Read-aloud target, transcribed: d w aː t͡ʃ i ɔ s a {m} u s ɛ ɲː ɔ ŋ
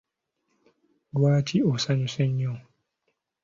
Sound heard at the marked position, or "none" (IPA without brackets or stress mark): ɲ